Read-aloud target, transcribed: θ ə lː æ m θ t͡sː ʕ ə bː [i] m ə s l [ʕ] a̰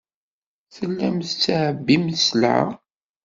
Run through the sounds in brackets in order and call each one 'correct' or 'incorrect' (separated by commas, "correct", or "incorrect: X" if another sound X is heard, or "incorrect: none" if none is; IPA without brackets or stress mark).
correct, correct